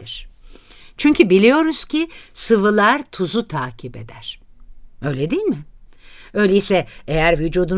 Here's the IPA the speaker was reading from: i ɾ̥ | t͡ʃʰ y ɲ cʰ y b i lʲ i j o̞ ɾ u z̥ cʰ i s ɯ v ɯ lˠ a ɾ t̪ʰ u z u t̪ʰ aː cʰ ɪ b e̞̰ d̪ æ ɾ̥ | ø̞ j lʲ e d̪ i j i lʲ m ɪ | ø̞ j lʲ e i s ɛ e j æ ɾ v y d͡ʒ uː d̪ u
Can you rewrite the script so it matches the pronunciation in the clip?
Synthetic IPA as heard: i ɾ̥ | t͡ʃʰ y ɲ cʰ y b i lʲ i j o̞ ɾ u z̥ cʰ i s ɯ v ɯ lˠ a ɾ t̪ʰ u z u t̪ʰ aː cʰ i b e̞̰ d̪ æ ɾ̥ | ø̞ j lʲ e d̪ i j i lʲ m ɪ | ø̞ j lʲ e i s ɛ e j æ ɾ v y d͡ʒ uː d̪ u

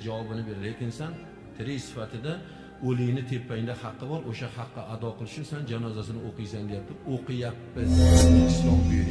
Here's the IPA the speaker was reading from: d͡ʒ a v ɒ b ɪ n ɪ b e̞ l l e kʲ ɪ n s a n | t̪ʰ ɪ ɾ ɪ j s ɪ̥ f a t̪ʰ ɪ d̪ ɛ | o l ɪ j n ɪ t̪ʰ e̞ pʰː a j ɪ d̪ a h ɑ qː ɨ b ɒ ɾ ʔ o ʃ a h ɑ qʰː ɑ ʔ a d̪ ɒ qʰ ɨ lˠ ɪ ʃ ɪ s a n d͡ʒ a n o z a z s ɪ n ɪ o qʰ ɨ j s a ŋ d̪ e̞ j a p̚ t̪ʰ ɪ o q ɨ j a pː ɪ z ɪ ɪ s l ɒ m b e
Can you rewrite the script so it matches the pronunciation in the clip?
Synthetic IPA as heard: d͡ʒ a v ɒ b ɪ n ɪ b e̞ ɾ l e kʲ ɪ n s a n | t̪ʰ ɪ ɾ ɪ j s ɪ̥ f a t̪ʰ ɪ d̪ a | o l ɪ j n ɪ t̪ʰ e̞ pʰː a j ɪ d̪ a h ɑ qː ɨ b ɒ ɾ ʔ o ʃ a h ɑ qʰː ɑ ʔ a d̪ ɒ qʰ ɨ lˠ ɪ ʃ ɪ s a n d͡ʒ a n ɒ z a s ɪ n ɪ o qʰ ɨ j s a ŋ d̪ e̞ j a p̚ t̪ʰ ɪ o q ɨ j a pː ɪ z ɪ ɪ s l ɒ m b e

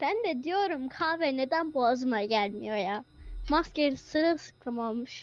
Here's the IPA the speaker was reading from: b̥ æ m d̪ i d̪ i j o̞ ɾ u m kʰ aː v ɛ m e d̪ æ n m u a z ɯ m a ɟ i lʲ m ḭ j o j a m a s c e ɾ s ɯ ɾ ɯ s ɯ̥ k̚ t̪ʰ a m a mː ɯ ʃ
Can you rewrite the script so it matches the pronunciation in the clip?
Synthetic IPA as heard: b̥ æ n d̪ ɛ d̪ i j o̞ ɾ u m kʰ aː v ɛ n e d̪ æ n b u a z ɯ m a ɟ æ lʲ m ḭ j o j a m a s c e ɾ s ɯ ɾ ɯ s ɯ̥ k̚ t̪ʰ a m a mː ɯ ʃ

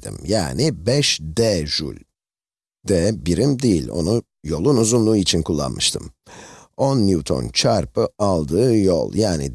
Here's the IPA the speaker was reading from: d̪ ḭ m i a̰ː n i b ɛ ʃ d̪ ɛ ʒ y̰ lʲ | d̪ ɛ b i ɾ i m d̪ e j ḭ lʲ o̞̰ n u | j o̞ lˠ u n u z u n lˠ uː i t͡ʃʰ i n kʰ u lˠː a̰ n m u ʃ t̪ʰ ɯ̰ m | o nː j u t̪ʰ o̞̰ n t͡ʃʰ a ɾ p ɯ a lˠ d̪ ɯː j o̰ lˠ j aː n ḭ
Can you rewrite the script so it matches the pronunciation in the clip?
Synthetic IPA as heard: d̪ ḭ m j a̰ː n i b ɛ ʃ d̪ ɛ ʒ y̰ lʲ | d̪ ɛ b i ɾ i m d̪ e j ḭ lʲ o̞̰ n u | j o̞ lˠ u n u z u n lˠ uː i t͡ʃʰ i n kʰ u lˠː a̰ n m ɯ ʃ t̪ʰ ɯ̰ m | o nː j u t̪ʰ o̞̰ n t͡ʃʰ a ɾ p ɯ a lˠ d̪ ɯː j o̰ lˠ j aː n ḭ

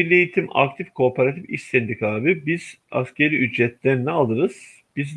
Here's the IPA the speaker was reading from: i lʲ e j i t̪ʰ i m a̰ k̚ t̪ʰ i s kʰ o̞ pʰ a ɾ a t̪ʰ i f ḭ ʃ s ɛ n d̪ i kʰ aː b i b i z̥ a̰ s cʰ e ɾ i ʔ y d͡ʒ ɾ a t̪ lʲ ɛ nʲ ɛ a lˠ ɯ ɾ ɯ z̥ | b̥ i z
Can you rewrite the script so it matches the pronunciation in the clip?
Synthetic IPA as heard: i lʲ e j i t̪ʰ i m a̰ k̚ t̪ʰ i f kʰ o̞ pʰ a ɾ a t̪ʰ i f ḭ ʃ s ɛ n d̪ i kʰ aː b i b i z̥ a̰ s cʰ e ɾ i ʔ y d͡ʒ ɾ ɛ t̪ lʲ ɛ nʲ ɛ a lˠ ɯ ɾ ɯ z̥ | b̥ i z

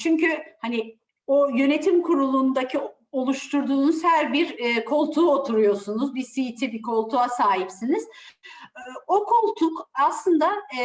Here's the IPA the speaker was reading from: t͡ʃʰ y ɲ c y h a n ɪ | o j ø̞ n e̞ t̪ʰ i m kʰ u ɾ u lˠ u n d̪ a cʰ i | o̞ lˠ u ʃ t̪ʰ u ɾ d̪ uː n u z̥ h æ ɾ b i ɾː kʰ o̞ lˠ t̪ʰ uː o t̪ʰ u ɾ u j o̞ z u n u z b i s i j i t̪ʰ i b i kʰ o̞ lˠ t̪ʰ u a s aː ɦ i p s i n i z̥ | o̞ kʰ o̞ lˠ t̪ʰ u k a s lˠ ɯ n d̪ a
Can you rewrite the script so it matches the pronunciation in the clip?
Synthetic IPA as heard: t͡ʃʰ y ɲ c y h a n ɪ | o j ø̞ n e̞ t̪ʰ i m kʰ u ɾ u lˠ u n d̪ a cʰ i | o̞ lˠ u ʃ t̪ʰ u ɾ d̪ uː n u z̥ h æ ɾ b i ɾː kʰ o̞ lˠ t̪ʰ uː o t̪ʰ u ɾ u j o̞ s u n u z b i s i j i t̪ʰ i b i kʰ o̞ lˠ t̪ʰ u a s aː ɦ i p s i n i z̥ | o̞ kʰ o̞ lˠ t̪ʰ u k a s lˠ ɯ n d̪ a

